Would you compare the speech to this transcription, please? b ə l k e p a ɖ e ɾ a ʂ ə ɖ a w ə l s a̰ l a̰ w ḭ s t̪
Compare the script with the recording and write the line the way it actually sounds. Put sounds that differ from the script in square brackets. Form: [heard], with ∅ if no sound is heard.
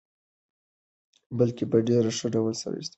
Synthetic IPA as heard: b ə l k e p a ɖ e ɾ a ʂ ə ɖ a w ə l s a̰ [ɾ] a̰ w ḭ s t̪